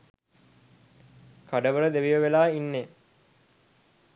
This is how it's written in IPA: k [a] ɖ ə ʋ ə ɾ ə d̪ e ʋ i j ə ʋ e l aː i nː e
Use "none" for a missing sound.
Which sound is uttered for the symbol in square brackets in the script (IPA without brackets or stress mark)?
a